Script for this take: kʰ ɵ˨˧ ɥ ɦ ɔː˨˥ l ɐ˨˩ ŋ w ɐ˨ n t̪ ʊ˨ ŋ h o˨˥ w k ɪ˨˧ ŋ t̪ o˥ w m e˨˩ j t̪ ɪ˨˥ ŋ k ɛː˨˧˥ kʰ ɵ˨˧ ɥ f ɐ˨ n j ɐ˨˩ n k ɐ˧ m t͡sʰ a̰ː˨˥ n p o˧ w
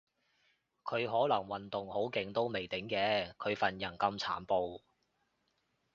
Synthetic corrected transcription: kʰ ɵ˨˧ ɥ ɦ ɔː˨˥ l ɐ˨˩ ŋ w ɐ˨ n t̪ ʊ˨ ŋ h o˨˥ w k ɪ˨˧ ŋ t̪ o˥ w m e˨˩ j t̪ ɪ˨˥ ŋ k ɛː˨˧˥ kʰ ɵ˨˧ ɥ f ɐ˨ n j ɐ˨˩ n k ɐ˧ m t͡sʰ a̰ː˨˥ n p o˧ w